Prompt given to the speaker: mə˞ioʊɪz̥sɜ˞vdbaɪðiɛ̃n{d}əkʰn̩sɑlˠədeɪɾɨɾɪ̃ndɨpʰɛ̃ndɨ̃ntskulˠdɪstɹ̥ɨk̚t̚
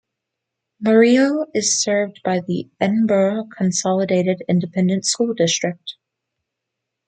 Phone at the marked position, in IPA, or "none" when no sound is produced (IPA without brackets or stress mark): b